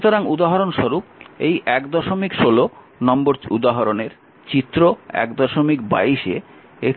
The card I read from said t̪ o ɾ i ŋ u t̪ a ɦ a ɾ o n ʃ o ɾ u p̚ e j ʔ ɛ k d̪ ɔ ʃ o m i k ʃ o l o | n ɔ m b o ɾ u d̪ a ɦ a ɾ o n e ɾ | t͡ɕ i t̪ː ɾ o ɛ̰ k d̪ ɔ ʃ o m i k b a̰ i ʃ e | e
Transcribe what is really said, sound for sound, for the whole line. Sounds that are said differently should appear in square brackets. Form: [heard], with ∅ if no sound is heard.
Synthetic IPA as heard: t̪ o ɾ [a] ŋ u [d̪] a ɦ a ɾ o n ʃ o ɾ u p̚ e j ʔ ɛ k d̪ ɔ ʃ o m i k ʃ o l o | n ɔ m b o ɾ u d̪ a ɦ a ɾ o n e ɾ | t͡ɕ i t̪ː ɾ o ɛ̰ k d̪ ɔ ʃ o m i k b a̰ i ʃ e | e

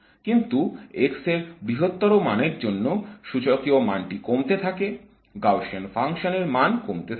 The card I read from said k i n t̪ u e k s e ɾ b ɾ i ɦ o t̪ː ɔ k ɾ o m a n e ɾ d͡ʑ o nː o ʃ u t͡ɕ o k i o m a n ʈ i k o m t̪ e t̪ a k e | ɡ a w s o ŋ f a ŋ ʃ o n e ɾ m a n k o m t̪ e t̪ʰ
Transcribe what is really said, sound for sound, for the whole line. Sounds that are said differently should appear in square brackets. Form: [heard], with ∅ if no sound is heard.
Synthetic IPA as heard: k i n t̪ u e k s e ɾ b ɾ i ɦ o t̪ː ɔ [∅] ɾ o m a n e ɾ d͡ʑ o nː o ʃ u t͡ɕ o k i o m a n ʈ i k o m t̪ e [t̪ʰ] a k e | ɡ a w [ʃ] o [n] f a ŋ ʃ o n e ɾ m a n k o m t̪ e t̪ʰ

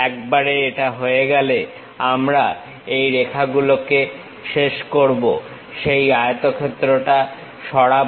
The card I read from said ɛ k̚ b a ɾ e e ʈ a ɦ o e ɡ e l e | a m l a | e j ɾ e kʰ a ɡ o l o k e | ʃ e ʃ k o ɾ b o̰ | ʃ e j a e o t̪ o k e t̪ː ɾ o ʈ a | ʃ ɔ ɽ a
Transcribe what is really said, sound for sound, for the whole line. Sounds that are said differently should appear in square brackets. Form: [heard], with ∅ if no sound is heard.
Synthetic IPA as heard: ɛ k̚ b a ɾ e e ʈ a ɦ o e ɡ [ɛ] l e | a m [ɾ] a | e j ɾ e kʰ a ɡ [u] l o k e | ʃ e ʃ k o ɾ b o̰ | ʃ e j a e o t̪ o [kʰ] e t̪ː ɾ o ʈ a | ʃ ɔ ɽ a

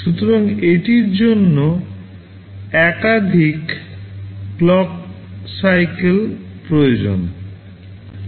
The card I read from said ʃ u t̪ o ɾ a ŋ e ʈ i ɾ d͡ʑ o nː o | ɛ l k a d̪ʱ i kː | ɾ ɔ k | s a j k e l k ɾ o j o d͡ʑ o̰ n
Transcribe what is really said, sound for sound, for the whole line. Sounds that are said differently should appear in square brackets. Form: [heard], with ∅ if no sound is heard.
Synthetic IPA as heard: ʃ u t̪ o ɾ a ŋ e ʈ i ɾ d͡ʑ o nː o | ɛ [∅] k a d̪ʱ i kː | [l] ɔ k | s a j k e l [p] ɾ o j o d͡ʑ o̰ n

